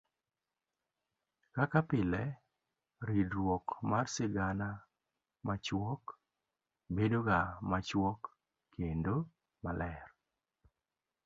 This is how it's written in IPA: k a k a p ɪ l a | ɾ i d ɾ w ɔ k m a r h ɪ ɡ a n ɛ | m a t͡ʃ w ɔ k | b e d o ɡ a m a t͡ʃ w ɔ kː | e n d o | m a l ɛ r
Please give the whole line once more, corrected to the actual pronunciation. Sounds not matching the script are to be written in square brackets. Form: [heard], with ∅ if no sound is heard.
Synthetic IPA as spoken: k a k a p ɪ l [ɛ] | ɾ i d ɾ w ɔ k m a r [s] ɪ ɡ a n [a] | m a t͡ʃ w ɔ k | b e d o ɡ a m a t͡ʃ w ɔ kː | e n d o | m a l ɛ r